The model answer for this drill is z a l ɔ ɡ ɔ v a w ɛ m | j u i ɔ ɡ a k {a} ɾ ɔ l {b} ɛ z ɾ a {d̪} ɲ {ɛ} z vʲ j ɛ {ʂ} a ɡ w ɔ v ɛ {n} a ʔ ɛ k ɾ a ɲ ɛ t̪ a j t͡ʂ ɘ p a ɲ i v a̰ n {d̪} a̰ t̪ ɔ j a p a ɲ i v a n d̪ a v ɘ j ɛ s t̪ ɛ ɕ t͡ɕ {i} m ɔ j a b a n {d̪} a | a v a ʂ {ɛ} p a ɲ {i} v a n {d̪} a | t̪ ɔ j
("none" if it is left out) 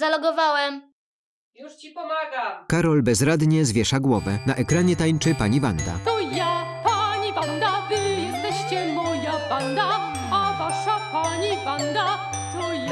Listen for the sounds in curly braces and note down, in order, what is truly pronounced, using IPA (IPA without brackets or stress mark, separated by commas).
a, b, d̪, ɛ, ʂ, n, d̪, ɛ, d̪, a, i, d̪